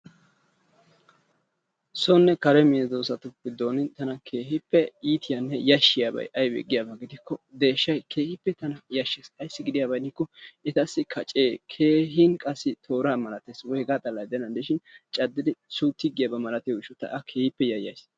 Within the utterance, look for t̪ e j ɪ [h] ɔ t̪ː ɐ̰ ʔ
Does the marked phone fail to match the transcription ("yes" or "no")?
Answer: yes